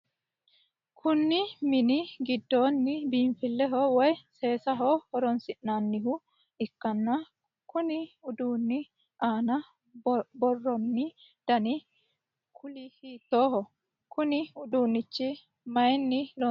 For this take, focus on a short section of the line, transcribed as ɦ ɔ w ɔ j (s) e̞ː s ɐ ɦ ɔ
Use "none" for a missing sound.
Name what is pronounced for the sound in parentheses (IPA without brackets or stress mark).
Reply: s